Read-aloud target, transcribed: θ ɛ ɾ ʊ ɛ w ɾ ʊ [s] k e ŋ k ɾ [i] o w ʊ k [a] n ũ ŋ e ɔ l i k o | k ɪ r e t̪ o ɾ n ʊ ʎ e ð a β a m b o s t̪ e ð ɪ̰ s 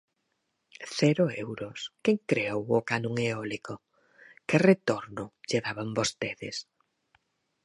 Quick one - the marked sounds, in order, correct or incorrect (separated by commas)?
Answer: correct, incorrect, correct